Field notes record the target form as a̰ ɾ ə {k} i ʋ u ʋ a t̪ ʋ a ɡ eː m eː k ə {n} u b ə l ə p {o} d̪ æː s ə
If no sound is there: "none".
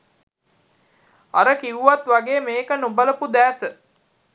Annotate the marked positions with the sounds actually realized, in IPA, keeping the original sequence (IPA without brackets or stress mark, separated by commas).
k, n, u